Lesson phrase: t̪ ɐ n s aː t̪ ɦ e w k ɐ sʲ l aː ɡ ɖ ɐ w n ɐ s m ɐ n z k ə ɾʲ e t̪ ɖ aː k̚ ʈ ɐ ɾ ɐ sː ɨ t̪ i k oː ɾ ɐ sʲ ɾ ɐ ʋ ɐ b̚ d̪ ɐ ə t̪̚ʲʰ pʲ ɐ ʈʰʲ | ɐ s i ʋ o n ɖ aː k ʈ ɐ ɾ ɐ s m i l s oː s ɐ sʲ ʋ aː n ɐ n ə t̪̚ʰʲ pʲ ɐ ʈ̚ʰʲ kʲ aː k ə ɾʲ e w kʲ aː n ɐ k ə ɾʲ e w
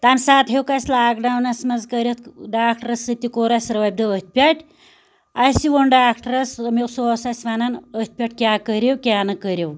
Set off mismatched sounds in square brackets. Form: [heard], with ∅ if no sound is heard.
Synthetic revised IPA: t̪ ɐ n s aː t̪ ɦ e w k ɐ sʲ l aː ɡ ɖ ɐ w n ɐ s m ɐ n z k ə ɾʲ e t̪ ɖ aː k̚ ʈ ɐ ɾ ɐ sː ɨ t̪ i k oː ɾ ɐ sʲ ɾ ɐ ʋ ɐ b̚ d̪ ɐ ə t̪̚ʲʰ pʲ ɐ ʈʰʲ | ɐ s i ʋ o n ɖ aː k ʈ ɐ ɾ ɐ s m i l s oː s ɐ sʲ ʋ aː n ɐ n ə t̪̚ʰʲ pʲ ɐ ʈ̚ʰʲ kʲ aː k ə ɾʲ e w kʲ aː n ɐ k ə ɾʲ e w